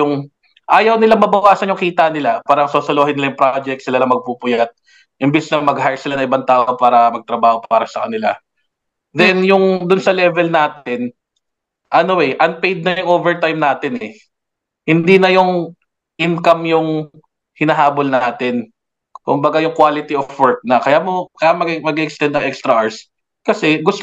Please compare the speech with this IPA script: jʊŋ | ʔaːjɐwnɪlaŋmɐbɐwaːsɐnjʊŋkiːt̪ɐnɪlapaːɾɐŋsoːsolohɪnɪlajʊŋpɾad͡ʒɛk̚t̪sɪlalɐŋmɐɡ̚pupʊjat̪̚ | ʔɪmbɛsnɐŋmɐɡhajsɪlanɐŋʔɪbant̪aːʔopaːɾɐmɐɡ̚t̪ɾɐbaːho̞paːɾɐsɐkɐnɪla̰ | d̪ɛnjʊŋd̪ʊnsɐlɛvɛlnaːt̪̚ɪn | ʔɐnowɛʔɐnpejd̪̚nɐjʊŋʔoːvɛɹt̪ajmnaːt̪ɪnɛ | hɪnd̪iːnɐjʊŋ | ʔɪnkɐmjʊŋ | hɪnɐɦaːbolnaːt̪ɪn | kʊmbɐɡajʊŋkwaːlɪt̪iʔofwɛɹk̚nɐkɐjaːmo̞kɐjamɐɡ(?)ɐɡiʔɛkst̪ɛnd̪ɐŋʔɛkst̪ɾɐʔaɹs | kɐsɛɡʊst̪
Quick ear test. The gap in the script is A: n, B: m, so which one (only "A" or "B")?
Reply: B